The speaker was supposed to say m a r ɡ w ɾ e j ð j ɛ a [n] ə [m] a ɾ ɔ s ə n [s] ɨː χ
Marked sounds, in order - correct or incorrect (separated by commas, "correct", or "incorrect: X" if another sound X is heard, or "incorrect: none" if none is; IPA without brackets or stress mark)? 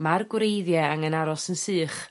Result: incorrect: ŋ, incorrect: n, correct